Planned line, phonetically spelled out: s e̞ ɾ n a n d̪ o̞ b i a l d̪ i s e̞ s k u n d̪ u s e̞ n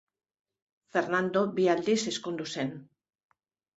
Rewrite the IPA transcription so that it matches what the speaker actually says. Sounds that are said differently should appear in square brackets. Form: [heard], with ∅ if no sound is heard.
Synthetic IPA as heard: [f] e̞ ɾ n a n d̪ o̞ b i a l d̪ i s e̞ s k u n d̪ u s e̞ n